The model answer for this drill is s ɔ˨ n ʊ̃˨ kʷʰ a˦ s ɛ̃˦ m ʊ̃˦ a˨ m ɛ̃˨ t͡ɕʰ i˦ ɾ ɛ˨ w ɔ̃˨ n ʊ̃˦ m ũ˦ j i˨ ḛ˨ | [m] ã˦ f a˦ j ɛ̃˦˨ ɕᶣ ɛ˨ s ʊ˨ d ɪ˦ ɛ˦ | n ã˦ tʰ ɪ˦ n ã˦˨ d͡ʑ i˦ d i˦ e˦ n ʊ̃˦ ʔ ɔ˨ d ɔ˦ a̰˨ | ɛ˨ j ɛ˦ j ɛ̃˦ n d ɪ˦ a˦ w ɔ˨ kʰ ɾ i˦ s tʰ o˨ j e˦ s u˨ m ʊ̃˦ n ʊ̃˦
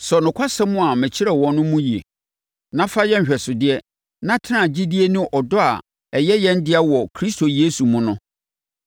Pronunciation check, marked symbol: incorrect: n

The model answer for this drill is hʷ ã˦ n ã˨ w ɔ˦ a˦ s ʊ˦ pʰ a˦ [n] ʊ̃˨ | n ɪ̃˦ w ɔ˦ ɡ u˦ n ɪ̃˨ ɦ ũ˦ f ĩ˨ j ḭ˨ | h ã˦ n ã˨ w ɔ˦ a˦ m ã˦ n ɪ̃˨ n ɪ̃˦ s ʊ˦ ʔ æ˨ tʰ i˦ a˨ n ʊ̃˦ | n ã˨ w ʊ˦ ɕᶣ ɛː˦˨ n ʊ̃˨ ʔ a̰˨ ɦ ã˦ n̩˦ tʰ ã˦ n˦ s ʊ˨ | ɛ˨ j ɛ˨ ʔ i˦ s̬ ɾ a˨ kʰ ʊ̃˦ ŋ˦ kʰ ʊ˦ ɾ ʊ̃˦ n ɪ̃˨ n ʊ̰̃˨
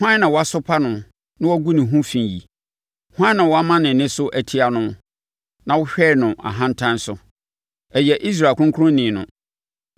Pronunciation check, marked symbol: correct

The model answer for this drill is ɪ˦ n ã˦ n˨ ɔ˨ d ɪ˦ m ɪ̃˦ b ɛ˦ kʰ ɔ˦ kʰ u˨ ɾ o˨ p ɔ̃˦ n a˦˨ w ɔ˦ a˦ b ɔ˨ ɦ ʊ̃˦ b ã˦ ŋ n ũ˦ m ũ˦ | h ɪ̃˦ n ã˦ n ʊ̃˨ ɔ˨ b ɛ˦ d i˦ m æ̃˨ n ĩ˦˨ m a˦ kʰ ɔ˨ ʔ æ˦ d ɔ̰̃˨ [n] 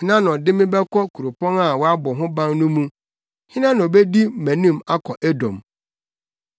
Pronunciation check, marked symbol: incorrect: m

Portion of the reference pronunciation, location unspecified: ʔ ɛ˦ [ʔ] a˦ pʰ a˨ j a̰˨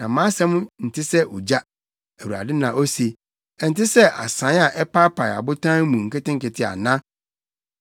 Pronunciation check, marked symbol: incorrect: p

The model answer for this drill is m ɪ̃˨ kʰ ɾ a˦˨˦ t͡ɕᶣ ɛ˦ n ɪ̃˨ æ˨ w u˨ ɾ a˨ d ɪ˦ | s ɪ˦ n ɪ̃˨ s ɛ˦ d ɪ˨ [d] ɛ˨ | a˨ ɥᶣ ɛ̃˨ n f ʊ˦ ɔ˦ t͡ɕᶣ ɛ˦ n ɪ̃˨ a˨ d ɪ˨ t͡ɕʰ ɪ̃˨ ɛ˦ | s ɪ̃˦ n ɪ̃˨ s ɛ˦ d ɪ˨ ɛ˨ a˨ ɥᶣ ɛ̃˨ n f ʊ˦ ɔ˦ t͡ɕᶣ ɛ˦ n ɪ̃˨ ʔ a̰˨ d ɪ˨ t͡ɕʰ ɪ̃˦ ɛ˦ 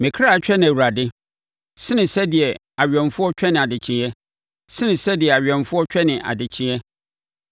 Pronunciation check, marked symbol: incorrect: none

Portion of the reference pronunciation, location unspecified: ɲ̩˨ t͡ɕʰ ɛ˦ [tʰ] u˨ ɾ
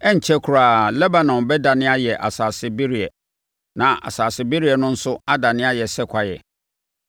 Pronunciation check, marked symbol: incorrect: kʰ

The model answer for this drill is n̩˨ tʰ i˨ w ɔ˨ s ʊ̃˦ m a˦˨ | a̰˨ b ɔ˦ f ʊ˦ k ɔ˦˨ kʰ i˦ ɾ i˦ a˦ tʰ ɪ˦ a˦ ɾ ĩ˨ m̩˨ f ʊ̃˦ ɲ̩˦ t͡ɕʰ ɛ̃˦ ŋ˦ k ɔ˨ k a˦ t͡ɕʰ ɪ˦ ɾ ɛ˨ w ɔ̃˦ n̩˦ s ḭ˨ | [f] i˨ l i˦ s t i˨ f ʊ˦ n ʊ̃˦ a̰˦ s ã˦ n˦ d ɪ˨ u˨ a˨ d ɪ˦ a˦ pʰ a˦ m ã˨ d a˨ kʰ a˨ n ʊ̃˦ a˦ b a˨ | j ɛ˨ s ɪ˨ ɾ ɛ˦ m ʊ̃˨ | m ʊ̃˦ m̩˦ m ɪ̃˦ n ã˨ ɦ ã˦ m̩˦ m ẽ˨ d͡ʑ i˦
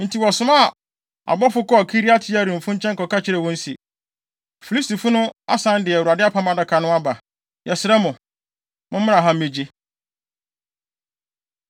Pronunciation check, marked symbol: correct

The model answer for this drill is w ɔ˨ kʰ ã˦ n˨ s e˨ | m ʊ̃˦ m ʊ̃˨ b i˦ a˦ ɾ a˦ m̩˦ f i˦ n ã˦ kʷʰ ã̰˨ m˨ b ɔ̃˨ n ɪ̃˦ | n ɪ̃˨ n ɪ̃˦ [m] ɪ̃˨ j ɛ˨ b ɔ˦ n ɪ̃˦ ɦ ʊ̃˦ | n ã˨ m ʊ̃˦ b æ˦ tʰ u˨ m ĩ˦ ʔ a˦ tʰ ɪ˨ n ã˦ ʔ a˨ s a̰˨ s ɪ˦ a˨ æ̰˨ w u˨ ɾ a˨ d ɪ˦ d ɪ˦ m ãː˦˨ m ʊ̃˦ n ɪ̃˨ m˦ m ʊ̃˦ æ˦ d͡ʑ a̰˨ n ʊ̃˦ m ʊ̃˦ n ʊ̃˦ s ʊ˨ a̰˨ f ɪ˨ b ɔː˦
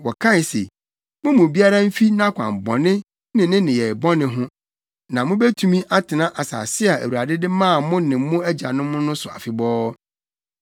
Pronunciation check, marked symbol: incorrect: n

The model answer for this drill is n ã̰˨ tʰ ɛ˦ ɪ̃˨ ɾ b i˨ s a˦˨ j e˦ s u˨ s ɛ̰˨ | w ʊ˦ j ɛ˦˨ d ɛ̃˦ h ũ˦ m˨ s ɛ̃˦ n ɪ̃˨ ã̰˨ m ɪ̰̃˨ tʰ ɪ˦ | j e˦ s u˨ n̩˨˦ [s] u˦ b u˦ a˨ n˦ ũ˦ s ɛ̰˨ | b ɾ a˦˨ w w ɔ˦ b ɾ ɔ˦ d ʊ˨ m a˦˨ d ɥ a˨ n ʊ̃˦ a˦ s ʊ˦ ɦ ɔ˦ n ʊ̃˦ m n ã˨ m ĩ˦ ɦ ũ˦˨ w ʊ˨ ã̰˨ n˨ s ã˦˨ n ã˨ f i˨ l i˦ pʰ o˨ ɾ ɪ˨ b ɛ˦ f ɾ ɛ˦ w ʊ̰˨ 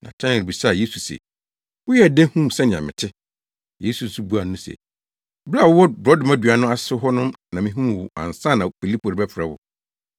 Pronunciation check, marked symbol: correct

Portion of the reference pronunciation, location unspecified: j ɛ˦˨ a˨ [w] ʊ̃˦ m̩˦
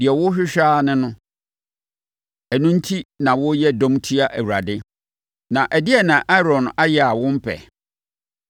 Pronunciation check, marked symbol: correct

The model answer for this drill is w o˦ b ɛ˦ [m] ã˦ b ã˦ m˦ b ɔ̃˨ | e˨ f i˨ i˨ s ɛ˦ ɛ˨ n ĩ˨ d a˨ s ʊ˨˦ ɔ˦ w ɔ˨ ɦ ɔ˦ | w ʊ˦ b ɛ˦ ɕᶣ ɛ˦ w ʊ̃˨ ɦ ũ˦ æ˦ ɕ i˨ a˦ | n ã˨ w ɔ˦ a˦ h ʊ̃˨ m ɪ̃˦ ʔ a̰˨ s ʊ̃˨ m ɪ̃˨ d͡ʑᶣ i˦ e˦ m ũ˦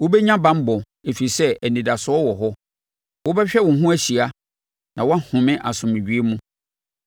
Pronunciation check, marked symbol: incorrect: ɲ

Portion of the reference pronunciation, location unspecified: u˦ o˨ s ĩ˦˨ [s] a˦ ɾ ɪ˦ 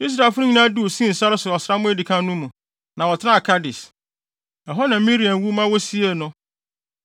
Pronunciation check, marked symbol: correct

